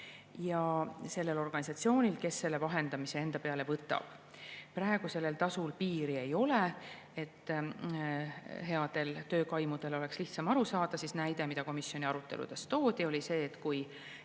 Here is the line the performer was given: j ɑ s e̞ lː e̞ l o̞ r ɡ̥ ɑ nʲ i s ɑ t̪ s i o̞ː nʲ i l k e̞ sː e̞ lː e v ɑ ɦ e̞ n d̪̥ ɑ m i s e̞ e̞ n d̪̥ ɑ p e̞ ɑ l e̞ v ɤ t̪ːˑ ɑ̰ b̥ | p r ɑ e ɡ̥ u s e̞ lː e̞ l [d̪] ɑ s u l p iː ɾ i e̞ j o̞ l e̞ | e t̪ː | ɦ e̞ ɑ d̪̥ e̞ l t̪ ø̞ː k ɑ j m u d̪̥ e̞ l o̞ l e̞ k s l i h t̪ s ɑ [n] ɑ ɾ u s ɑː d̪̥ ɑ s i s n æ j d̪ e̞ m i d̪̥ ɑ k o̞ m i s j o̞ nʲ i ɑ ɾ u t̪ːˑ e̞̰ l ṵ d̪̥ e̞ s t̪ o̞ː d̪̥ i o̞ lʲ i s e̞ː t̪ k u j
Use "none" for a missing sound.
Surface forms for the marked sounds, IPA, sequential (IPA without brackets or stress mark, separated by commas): t̪, m